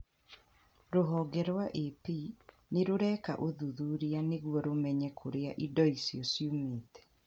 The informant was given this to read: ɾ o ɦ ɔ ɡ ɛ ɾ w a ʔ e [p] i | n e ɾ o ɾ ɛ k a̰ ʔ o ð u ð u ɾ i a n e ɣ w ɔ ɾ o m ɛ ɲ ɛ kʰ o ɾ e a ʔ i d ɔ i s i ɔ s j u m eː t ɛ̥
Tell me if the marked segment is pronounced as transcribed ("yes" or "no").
yes